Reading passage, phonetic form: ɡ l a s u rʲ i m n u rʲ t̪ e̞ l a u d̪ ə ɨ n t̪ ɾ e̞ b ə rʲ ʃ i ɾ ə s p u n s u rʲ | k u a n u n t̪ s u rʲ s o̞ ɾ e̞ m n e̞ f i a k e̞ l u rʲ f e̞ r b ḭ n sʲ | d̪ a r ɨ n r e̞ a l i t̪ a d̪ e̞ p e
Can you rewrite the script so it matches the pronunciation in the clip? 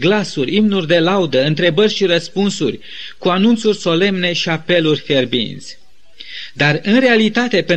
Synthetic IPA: ɡ l a s u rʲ i m n u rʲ d̪ e̞ l a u d̪ ə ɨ n t̪ ɾ e̞ b ə rʲ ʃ i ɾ ə s p u n s u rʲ | k u a n u n t̪ s u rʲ s o̞ l e̞ m n e̞ ʃ i a p e̞ l u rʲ f e̞ r b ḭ n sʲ | d̪ a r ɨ n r e̞ a l i t̪ a t̪ e̞ p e